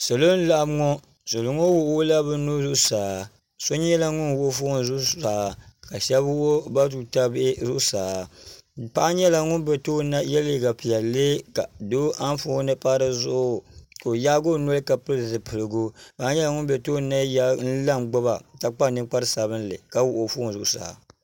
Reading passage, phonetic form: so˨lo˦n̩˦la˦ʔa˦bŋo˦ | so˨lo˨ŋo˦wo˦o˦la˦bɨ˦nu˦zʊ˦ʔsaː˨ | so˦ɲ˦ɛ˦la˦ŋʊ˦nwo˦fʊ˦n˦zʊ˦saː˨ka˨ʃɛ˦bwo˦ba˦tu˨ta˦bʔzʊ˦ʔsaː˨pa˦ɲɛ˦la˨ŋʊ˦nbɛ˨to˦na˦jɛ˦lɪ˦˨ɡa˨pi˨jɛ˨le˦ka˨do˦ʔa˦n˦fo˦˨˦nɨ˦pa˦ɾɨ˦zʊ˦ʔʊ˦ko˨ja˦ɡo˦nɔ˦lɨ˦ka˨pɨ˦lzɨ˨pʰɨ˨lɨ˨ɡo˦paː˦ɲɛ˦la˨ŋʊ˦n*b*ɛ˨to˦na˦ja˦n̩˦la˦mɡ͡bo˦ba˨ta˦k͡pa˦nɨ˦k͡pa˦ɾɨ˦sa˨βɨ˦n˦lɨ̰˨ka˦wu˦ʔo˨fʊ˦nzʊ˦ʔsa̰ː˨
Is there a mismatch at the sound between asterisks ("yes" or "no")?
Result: no